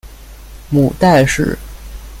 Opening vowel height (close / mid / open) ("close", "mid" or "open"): close